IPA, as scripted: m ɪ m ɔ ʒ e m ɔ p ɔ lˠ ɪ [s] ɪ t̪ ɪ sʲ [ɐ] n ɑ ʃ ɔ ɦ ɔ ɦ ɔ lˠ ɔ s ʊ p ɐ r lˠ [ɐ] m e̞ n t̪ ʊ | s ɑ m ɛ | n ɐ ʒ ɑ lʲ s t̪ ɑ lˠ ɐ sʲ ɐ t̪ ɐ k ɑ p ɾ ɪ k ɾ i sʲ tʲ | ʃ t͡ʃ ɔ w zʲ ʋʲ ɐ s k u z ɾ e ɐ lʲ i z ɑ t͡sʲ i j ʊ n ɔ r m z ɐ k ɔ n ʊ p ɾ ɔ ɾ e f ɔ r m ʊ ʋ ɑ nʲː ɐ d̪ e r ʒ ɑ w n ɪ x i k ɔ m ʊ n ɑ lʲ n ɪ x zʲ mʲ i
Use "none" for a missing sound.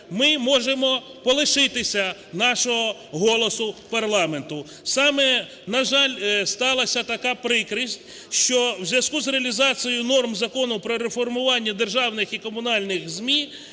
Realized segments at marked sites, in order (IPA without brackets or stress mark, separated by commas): ʃ, ɐ, ɑ